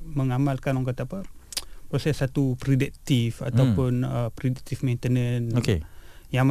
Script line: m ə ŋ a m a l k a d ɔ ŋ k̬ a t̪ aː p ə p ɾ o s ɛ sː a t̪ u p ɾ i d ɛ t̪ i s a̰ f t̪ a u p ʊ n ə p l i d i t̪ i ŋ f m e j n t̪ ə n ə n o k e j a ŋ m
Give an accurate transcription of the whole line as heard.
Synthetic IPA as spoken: m ə ŋ a m a l k a n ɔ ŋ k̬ a t̪ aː p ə p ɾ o s ɛ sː a t̪ u p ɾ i d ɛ t̪ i f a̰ t̪ a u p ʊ n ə p ɾ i d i t̪ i f m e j n t̪ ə n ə n o k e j a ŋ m